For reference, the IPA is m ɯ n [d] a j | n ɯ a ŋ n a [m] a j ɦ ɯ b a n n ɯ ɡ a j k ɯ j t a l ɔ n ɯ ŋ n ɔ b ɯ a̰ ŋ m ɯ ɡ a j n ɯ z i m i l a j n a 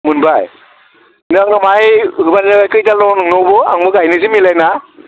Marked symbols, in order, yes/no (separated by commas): no, yes